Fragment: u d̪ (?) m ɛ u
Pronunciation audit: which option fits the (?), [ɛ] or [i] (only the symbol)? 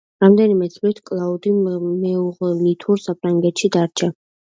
i